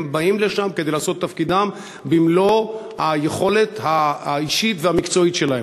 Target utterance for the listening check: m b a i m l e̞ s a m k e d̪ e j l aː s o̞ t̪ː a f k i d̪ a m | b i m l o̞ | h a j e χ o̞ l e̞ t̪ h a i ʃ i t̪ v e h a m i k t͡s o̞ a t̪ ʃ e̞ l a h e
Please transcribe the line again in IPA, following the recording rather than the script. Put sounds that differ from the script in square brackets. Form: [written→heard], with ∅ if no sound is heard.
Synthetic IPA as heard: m b a i m l e̞ [s→ʃ] a m k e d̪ e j l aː s o̞ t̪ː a f k i d̪ a m | b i m l o̞ | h a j e χ o̞ l e̞ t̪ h a i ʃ i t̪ v e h a m i k t͡s o̞ [a→i] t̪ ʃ e̞ l a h e